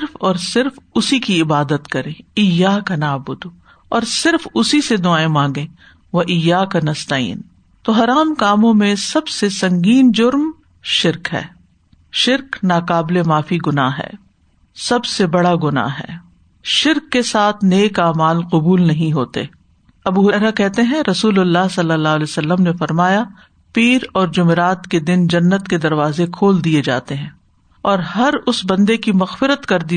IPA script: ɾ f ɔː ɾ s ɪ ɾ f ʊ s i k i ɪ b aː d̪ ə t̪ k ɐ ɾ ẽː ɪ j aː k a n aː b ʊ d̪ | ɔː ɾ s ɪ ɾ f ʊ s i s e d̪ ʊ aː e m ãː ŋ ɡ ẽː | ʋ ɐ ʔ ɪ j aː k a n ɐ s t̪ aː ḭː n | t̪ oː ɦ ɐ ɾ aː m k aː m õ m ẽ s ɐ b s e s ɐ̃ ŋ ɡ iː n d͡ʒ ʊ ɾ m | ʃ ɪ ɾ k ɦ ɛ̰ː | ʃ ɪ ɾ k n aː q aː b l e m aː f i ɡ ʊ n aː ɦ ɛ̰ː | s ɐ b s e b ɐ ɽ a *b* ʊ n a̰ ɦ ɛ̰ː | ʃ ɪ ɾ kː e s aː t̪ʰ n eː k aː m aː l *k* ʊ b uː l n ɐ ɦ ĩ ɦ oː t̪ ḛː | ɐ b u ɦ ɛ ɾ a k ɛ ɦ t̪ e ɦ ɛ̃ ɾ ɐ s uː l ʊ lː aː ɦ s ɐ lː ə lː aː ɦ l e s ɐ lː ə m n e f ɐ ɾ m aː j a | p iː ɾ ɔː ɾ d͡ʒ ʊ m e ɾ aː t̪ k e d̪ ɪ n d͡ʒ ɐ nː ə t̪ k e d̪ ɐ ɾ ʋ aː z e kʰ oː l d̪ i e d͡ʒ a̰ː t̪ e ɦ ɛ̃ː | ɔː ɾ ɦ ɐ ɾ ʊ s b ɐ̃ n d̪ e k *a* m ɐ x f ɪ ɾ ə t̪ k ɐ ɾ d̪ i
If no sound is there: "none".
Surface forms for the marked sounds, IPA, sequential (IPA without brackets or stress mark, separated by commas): ɡ, q, i